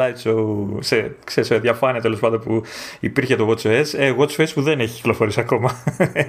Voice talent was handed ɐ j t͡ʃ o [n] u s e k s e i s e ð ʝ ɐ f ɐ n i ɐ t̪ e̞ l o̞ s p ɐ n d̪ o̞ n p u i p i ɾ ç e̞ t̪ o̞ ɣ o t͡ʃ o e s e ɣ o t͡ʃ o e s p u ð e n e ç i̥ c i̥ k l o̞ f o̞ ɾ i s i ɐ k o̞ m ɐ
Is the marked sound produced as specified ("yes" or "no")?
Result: no